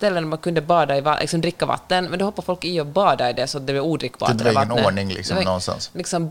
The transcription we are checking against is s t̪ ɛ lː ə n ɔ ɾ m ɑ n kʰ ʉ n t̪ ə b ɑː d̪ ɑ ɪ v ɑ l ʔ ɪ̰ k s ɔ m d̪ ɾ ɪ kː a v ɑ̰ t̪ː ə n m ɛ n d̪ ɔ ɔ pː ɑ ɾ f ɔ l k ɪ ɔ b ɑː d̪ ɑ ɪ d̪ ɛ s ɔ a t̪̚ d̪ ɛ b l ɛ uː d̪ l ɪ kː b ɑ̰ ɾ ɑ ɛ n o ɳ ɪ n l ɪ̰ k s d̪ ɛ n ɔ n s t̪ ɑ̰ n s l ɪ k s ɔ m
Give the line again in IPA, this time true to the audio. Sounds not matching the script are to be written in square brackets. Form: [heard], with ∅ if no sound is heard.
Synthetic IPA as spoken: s t̪ ɛ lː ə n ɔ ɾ m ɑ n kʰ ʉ n [d̪] ə b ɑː d̪ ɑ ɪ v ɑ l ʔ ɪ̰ k s ɔ m d̪ ɾ ɪ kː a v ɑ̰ t̪ː ə n m ɛ n d̪ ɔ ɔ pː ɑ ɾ f ɔ l k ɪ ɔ b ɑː d̪ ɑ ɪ d̪ ɛ s ɔ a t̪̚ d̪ ɛ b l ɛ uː d̪ [ɾ] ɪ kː b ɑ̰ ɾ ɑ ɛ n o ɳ ɪ [ŋ] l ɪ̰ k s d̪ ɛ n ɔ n s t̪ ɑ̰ n s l ɪ k s ɔ m